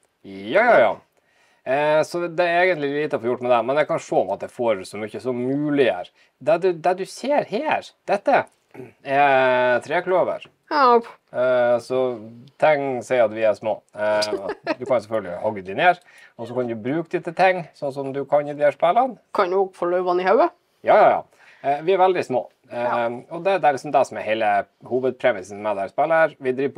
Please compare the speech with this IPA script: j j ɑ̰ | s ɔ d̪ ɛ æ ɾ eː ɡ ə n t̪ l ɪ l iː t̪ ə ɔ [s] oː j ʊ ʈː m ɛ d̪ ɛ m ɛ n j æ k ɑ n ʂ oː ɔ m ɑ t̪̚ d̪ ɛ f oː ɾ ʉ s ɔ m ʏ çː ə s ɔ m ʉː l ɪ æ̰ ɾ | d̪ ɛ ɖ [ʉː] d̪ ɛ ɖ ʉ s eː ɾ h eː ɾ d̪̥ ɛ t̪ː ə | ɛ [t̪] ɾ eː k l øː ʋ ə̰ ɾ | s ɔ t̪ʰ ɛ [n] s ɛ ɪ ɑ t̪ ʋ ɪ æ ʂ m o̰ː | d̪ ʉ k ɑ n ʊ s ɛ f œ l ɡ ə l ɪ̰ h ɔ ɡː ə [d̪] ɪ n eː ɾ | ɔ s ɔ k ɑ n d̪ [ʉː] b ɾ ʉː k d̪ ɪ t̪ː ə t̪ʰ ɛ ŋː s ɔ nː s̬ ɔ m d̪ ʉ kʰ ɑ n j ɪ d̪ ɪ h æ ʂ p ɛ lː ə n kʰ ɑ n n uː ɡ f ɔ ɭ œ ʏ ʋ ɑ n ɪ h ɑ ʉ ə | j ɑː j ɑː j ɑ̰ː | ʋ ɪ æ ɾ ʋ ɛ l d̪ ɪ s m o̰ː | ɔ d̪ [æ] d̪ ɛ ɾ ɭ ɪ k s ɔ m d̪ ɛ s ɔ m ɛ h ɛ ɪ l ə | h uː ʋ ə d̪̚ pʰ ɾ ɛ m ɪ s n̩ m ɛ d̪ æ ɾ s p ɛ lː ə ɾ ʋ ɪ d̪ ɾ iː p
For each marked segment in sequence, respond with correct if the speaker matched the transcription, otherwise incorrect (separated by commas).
incorrect, incorrect, incorrect, incorrect, correct, incorrect, incorrect